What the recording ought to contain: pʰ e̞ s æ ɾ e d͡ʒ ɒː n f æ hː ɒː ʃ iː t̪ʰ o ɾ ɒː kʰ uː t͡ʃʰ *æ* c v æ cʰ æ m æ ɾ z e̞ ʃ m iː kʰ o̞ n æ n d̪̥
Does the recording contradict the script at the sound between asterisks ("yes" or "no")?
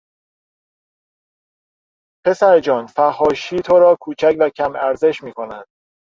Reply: no